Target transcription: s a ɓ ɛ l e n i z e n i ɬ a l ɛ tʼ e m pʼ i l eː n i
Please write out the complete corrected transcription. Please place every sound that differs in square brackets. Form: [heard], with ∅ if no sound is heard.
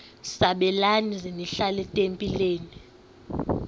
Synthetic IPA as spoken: s a ɓ ɛ l [a] n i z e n i ɬ a l ɛ tʼ e m pʼ i l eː n i